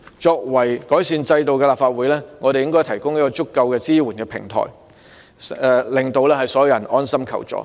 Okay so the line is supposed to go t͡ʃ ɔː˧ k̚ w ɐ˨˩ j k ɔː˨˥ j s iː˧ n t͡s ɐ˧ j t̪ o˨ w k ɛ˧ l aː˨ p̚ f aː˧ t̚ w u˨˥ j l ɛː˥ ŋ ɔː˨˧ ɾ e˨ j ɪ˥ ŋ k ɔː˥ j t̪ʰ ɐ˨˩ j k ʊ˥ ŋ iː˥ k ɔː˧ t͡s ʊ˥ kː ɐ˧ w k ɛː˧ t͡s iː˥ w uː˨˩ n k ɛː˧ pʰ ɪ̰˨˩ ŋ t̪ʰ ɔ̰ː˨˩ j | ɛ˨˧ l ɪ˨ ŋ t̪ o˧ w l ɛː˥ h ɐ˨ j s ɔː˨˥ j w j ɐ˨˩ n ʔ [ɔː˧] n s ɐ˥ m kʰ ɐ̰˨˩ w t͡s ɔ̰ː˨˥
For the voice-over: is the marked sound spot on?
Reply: no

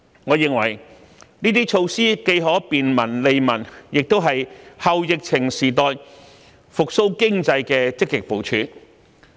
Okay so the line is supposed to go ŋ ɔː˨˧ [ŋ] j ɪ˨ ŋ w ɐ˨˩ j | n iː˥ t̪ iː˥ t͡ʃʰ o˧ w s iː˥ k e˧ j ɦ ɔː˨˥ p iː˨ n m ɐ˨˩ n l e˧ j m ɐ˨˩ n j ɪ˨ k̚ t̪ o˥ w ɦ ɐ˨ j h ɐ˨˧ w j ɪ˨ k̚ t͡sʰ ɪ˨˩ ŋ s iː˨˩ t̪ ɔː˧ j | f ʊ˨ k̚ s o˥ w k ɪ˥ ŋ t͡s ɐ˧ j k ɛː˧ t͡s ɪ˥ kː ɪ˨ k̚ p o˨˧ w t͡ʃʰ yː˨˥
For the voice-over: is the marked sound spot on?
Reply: no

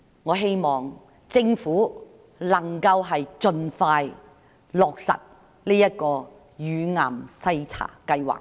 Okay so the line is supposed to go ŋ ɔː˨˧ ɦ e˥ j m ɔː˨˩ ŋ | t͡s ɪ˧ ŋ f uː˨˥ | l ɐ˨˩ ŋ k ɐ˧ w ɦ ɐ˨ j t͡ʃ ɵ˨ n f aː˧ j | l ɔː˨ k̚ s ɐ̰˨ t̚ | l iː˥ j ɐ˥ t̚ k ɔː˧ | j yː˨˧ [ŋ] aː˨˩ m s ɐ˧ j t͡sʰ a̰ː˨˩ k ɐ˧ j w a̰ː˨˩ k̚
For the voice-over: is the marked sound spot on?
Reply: yes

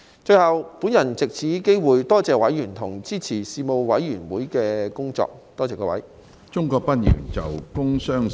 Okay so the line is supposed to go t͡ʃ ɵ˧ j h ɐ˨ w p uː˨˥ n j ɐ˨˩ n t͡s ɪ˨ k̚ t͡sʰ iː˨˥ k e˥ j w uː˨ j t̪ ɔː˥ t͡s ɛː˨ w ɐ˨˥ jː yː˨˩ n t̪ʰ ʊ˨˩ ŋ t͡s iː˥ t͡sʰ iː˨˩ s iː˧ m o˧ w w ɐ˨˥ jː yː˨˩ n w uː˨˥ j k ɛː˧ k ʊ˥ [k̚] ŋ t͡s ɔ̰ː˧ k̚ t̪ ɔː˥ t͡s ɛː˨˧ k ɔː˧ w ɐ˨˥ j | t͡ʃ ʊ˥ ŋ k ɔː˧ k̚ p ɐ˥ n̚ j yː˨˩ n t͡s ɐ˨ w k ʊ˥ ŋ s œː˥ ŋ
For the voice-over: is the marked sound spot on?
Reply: no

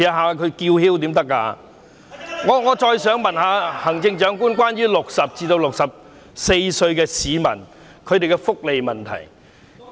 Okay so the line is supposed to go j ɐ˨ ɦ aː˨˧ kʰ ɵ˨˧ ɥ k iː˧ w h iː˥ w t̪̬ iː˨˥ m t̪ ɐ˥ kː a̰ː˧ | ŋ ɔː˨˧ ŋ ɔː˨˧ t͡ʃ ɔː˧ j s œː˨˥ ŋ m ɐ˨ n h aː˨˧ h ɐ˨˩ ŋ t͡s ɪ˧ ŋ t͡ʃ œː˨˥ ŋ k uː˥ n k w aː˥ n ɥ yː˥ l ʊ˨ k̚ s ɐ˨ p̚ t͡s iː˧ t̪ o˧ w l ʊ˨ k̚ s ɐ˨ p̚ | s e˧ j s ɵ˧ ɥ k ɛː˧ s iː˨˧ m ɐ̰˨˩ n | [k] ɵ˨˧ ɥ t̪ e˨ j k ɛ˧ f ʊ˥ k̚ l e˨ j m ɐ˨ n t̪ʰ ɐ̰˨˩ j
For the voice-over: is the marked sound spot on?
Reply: no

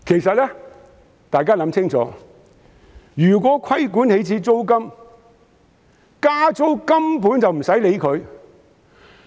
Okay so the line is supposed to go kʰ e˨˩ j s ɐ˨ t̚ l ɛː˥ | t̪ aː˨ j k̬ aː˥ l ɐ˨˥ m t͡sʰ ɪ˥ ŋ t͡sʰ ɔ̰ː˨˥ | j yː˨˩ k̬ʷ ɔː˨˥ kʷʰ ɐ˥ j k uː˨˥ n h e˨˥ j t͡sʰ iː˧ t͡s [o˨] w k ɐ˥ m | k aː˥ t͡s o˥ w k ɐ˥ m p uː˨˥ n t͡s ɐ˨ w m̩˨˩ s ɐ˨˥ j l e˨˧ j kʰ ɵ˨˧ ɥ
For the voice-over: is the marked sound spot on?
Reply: no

